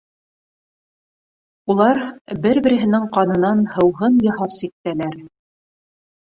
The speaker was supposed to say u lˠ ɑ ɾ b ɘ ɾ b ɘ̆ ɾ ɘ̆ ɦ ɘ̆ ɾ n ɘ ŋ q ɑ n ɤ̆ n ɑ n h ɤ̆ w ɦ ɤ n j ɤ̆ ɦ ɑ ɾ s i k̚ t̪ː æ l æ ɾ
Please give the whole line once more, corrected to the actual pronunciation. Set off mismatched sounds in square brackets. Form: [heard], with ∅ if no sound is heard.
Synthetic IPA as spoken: u lˠ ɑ ɾ b ɘ ɾ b ɘ̆ ɾ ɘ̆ ɦ ɘ̆ [∅] n ɘ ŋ q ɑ n ɤ̆ n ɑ n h ɤ̆ w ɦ ɤ n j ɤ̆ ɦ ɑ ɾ s i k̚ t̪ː æ l æ ɾ